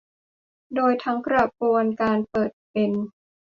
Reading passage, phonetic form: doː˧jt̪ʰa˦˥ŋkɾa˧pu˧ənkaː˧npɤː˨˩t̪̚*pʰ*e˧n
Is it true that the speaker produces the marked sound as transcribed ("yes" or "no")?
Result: no